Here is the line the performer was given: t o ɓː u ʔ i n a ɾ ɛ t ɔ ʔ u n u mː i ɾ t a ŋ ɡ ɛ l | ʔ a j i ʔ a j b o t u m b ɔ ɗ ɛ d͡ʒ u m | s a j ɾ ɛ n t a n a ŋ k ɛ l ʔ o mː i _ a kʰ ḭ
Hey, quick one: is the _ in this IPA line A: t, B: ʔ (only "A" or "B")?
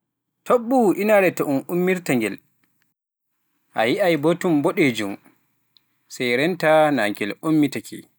A